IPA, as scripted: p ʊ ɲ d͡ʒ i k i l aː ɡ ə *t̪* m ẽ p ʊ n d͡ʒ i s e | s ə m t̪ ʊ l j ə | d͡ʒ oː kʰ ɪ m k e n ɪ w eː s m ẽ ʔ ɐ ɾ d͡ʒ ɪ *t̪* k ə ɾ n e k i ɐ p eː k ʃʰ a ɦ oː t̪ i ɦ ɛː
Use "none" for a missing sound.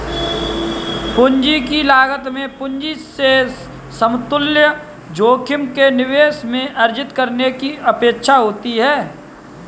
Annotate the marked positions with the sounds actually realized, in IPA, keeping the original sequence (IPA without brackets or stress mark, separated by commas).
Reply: t̪, t̪